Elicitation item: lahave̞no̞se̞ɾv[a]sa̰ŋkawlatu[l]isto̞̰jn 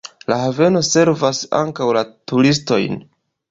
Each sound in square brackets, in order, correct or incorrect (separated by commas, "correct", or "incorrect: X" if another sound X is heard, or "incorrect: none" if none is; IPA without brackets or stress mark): correct, incorrect: ɾ